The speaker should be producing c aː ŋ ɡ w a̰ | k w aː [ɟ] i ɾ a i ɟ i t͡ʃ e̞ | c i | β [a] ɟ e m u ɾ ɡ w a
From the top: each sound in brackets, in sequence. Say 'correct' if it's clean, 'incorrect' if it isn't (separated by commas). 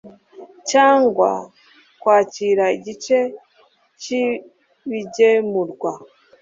incorrect, incorrect